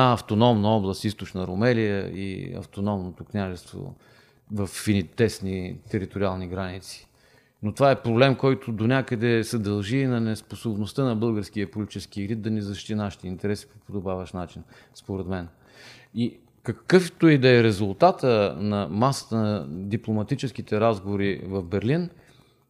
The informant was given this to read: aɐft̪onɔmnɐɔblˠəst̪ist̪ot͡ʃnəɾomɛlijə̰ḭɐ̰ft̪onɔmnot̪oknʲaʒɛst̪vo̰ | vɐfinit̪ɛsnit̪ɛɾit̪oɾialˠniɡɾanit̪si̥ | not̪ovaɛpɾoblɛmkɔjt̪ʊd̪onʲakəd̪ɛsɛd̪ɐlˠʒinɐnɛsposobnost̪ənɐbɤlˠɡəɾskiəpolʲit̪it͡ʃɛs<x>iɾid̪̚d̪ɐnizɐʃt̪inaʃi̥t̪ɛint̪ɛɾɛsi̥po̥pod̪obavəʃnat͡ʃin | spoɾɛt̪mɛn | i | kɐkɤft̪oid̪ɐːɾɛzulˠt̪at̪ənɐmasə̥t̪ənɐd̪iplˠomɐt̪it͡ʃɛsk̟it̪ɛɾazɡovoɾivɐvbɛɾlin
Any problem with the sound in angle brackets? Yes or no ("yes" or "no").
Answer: yes